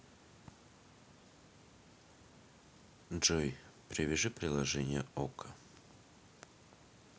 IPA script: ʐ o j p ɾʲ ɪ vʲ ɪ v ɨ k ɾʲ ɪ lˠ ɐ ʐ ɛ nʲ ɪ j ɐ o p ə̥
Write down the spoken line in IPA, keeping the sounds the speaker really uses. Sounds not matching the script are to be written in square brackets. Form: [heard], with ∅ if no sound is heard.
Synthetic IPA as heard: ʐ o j p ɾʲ ɪ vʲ ɪ [ʐ] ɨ [p] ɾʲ ɪ lˠ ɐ ʐ ɛ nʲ ɪ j [ə] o [k] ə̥